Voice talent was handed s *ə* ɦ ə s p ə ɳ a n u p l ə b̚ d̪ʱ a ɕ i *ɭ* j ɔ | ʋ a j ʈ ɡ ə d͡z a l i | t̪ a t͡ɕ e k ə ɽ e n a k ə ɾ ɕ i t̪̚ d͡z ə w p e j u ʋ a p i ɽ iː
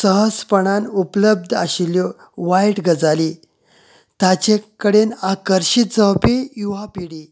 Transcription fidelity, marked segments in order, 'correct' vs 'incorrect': correct, incorrect: l

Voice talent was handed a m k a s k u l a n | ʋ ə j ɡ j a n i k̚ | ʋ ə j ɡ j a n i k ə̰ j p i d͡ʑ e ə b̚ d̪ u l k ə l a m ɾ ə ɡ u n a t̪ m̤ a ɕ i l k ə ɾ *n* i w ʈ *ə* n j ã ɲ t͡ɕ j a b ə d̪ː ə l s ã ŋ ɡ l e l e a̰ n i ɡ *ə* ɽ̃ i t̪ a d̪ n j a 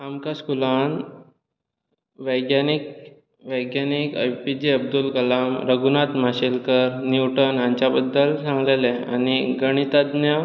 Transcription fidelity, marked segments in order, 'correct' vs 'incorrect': correct, correct, correct

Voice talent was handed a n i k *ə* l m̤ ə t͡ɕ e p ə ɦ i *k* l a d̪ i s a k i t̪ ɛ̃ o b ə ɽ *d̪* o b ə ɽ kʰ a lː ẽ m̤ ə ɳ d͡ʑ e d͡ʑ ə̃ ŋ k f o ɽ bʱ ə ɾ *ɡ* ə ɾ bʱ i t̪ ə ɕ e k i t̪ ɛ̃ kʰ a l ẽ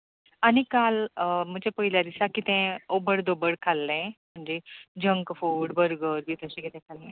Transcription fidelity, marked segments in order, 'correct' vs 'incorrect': incorrect: a, incorrect: none, correct, correct

